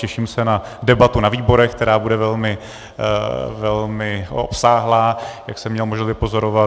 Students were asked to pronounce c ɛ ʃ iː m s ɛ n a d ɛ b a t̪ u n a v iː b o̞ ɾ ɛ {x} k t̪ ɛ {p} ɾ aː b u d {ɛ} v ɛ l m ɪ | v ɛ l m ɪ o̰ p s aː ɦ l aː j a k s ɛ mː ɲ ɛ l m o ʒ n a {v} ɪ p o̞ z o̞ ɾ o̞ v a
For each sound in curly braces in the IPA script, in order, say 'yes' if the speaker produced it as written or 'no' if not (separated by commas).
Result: yes, no, yes, yes